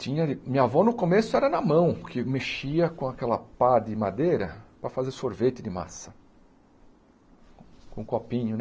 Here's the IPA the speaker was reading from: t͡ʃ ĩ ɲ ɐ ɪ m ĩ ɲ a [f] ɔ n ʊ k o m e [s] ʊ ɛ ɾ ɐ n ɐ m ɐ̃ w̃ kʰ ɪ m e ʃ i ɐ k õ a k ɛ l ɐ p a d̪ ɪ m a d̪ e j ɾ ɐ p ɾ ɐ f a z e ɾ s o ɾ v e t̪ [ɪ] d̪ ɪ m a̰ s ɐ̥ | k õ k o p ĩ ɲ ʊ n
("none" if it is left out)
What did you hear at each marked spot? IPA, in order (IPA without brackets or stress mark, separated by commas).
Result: v, s, ɪ